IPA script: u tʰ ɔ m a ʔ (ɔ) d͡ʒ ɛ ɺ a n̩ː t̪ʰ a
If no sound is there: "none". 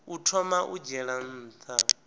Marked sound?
u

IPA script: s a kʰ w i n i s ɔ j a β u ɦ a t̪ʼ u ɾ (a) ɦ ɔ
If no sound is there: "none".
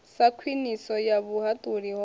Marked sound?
i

